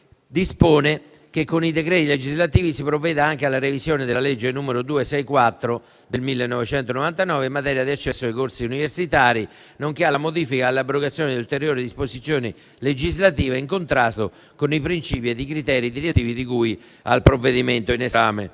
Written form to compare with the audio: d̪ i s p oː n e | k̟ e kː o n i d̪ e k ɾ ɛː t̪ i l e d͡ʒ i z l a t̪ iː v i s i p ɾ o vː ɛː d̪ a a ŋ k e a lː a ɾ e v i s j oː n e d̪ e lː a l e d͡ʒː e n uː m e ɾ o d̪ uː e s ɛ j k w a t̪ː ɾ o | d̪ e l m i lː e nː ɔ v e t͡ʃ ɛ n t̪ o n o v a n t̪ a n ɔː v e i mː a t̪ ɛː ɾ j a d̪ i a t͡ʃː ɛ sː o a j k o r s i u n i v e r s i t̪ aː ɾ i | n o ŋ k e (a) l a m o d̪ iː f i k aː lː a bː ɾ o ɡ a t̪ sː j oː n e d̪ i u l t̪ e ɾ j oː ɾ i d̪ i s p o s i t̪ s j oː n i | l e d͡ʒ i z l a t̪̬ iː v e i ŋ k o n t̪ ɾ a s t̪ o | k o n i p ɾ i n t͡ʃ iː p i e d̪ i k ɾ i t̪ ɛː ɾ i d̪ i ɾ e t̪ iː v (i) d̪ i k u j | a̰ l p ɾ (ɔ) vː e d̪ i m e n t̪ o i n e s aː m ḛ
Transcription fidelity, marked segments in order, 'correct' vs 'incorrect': correct, correct, incorrect: o

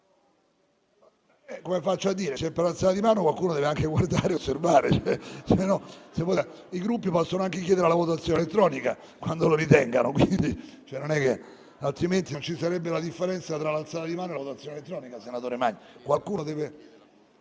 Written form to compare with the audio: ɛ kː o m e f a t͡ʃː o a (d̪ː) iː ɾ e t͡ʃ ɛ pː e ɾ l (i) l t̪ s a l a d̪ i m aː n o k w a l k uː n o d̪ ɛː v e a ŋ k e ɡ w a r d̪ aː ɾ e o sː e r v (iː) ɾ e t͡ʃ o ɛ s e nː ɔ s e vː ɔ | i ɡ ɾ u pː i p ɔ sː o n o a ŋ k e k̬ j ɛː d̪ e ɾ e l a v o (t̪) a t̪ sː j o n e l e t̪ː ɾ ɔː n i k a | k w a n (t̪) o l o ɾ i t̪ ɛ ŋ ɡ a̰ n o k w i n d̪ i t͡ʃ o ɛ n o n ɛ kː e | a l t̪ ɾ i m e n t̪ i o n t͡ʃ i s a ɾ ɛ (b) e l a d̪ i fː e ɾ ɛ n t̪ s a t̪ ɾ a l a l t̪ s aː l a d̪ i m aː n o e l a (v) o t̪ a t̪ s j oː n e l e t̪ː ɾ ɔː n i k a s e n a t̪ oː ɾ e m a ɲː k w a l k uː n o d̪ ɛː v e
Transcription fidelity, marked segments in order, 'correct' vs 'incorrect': correct, incorrect: a, incorrect: aː, correct, incorrect: d̪, incorrect: bː, correct

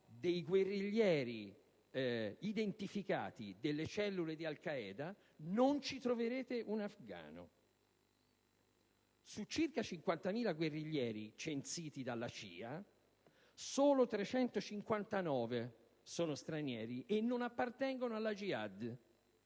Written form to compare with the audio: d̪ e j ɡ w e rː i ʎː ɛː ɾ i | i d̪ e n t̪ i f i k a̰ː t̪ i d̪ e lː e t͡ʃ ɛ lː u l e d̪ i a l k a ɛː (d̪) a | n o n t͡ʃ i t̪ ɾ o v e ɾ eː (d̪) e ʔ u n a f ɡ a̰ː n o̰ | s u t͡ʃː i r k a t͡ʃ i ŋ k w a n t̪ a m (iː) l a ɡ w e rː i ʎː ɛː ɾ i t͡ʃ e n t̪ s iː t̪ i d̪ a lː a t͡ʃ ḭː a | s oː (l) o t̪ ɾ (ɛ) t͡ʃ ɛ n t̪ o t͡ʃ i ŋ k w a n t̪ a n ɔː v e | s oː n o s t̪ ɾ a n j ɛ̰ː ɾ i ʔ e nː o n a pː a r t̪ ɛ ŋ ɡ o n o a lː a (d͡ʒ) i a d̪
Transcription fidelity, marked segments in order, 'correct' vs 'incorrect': correct, incorrect: t̪, correct, correct, incorrect: e, correct

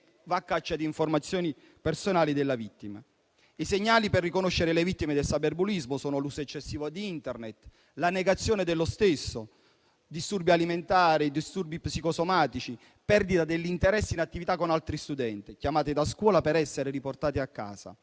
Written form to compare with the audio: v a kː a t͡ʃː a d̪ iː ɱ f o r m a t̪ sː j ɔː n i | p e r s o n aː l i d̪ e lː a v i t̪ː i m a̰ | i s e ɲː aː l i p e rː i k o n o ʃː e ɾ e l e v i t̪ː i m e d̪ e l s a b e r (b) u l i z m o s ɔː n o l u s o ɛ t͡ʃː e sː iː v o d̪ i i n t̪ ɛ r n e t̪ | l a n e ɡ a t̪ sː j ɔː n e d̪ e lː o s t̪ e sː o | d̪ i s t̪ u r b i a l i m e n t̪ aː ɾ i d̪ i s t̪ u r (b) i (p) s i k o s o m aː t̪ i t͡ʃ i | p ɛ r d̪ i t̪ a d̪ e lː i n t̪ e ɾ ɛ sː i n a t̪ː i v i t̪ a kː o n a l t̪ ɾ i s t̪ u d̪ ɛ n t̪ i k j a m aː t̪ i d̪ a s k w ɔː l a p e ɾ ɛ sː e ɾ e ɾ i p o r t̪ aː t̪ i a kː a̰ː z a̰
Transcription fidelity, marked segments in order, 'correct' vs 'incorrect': correct, correct, correct

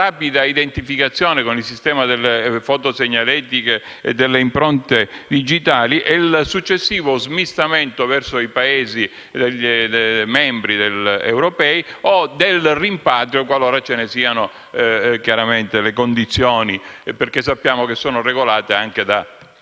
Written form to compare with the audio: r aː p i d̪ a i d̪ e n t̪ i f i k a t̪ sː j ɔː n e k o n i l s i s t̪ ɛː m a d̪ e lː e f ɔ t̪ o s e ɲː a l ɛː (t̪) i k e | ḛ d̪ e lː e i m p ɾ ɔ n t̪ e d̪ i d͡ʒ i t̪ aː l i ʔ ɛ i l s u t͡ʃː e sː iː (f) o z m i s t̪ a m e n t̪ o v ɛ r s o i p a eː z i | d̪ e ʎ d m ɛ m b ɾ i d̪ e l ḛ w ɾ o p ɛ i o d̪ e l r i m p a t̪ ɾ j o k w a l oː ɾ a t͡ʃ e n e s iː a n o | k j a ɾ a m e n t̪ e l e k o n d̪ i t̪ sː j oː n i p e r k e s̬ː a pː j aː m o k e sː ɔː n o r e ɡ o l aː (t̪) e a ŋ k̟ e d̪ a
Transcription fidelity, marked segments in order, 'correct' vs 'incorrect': correct, incorrect: v, correct

